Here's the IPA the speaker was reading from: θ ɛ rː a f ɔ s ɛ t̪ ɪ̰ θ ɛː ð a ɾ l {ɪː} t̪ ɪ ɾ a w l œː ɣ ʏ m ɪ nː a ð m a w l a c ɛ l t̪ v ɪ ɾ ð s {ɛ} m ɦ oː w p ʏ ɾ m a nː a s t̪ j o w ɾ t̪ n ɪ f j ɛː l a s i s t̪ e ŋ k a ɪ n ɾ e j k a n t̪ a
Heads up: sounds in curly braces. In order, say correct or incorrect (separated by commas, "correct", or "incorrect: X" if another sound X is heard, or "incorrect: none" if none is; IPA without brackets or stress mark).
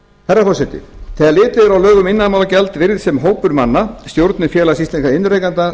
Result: correct, correct